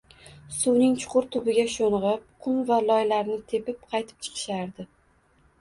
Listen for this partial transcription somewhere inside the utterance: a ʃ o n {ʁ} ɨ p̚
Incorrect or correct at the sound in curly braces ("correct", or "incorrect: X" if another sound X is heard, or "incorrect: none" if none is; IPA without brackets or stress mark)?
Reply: correct